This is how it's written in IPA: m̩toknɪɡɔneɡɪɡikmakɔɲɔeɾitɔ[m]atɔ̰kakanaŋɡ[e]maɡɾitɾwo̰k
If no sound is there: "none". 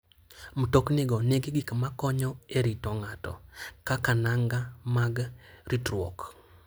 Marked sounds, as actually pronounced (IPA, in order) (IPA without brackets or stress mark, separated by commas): ŋ, a